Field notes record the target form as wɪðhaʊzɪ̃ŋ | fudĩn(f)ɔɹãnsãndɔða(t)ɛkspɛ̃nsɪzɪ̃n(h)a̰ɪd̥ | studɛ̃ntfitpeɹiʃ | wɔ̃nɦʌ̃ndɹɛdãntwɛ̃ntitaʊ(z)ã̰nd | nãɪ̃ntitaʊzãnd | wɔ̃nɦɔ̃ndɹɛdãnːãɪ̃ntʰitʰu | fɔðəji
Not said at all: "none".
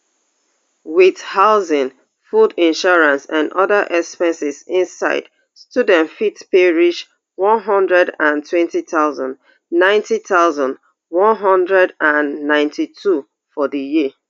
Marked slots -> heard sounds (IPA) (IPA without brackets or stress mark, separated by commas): ʃ, ʔ, s, z